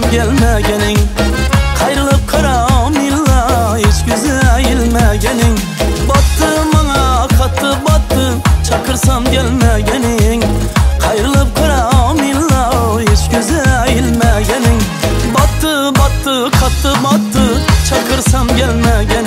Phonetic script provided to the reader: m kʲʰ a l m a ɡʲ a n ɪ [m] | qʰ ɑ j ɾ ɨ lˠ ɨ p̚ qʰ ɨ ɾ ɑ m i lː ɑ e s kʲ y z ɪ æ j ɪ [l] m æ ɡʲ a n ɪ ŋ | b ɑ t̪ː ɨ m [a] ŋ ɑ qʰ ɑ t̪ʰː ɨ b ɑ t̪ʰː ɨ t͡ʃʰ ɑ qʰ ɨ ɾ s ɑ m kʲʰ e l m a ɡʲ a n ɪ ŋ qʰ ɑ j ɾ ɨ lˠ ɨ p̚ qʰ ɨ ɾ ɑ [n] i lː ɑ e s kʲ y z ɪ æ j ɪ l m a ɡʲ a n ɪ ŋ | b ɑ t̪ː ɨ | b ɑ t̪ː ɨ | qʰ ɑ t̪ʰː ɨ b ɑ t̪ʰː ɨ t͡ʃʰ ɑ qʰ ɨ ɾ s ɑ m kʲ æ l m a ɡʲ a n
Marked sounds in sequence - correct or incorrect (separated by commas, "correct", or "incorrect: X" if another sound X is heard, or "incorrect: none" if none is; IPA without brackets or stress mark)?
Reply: incorrect: ŋ, correct, incorrect: ɑ, incorrect: m